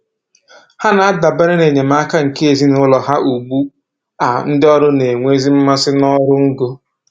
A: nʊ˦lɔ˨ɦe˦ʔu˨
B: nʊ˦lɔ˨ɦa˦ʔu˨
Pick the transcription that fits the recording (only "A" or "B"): B